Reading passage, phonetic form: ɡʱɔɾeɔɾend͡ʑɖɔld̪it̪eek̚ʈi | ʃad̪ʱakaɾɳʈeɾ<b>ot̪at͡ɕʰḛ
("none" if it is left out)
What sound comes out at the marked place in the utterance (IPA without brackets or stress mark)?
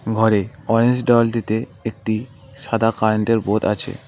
b